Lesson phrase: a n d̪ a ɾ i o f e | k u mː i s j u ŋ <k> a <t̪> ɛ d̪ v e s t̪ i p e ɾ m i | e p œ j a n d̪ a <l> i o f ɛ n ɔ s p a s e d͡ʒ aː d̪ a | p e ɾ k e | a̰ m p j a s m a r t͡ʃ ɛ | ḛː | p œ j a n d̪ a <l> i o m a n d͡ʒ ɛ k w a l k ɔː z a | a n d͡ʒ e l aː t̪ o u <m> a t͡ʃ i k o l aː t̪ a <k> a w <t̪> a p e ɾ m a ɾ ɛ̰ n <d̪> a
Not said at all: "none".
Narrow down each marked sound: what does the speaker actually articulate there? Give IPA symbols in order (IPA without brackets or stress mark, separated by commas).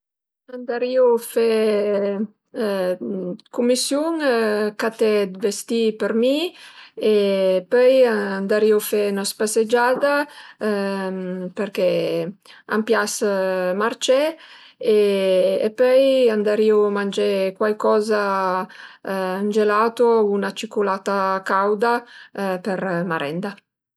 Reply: k, t̪, ɾ, ɾ, n, k, d̪, d̪